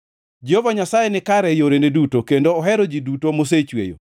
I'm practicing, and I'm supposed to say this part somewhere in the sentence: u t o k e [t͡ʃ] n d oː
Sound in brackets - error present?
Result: yes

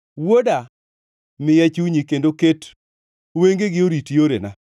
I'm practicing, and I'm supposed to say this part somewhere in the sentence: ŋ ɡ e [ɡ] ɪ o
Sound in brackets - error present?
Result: no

